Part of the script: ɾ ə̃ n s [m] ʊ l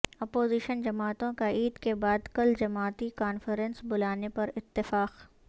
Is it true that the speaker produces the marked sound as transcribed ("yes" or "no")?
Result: no